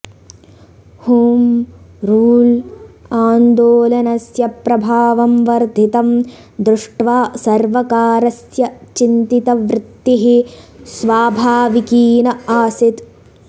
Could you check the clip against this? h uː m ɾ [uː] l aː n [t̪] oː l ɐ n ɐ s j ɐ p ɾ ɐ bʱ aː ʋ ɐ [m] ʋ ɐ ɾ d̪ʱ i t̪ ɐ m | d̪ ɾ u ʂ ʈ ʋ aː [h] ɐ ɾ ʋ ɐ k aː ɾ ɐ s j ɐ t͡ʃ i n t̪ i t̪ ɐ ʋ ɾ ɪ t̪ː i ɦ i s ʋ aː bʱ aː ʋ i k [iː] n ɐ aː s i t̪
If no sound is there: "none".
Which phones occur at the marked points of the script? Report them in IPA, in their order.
uː, d̪, m, s, iː

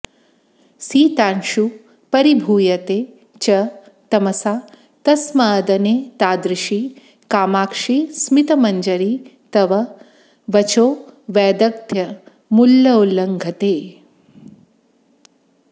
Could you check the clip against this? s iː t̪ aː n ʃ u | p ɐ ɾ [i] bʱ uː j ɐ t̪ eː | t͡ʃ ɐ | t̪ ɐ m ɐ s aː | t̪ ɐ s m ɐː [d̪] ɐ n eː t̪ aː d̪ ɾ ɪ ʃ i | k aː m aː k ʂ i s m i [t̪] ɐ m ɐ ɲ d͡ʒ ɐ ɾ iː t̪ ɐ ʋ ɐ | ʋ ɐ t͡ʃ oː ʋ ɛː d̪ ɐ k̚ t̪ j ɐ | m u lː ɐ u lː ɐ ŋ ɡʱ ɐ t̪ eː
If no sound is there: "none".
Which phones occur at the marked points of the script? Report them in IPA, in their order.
i, d̪, t̪

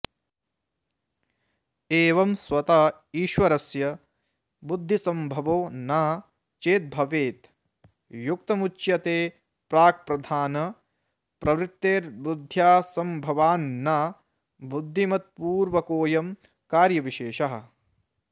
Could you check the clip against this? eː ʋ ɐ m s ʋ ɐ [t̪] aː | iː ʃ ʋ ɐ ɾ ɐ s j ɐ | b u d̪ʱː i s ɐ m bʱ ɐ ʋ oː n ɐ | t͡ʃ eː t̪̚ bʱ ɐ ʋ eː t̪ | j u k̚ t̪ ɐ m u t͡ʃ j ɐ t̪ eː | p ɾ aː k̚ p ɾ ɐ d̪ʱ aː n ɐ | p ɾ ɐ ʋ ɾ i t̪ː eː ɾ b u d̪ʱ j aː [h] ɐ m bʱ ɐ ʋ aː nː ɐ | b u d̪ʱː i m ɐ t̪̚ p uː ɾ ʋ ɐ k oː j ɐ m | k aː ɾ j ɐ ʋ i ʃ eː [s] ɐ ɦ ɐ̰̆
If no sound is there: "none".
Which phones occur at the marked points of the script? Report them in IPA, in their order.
t̪, s, ʃ

